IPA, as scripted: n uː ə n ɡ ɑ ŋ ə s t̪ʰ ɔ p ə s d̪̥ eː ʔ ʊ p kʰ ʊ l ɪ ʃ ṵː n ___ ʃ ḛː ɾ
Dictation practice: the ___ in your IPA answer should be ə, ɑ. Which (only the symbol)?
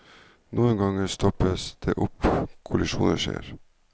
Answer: ə